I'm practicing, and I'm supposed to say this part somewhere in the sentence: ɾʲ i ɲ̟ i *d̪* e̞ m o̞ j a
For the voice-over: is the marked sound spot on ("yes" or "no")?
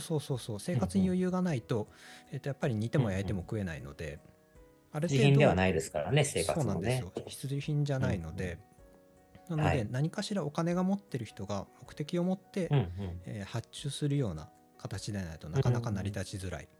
no